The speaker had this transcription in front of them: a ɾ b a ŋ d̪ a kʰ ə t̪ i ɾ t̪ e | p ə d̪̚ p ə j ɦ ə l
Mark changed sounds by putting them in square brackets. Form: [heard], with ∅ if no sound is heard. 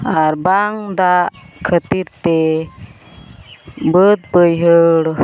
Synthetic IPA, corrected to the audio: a ɾ b a ŋ d̪ a kʰ ə t̪ i ɾ t̪ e | [b] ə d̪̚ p ə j ɦ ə [ɽ]